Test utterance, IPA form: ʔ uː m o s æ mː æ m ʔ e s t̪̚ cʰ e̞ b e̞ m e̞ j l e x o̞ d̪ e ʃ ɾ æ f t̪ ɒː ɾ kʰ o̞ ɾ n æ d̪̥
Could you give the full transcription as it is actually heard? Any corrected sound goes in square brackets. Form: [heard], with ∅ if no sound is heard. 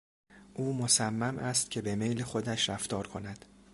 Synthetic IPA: ʔ uː m o s æ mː æ m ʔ [æ] s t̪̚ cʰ e̞ b e̞ m e̞ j l e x o̞ d̪ [æ] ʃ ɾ æ f t̪ ɒː ɾ kʰ o̞ [∅] n æ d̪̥